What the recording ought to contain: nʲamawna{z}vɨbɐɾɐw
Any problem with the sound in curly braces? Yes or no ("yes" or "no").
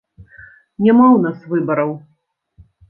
yes